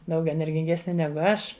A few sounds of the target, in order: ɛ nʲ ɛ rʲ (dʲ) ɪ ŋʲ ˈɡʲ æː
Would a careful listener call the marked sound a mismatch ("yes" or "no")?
yes